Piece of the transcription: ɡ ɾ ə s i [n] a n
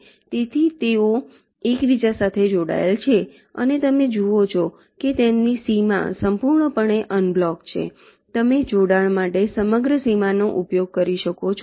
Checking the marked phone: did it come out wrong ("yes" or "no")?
yes